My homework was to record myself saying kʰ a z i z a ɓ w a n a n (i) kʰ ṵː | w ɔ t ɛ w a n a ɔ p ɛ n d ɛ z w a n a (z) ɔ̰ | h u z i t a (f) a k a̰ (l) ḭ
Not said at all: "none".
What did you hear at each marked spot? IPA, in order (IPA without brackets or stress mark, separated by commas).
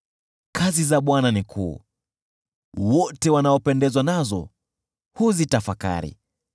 i, z, f, ɾ